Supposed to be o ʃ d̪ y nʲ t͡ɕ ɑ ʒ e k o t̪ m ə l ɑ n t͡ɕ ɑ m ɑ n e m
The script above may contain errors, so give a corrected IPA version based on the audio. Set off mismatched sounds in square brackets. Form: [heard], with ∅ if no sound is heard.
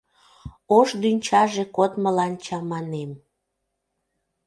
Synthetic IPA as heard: o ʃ d̪ y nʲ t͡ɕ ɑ ʒ e k o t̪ m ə l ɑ n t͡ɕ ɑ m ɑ n e m